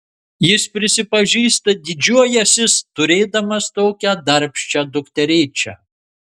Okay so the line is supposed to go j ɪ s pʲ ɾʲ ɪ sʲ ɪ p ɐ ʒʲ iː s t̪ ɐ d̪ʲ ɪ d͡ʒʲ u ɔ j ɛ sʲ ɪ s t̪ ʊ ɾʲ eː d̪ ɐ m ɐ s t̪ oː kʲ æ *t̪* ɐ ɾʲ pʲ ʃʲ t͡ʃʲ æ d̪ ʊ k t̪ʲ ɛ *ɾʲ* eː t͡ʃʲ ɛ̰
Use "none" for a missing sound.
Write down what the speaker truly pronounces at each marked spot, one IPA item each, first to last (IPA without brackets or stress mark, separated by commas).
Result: d̪, ɾʲ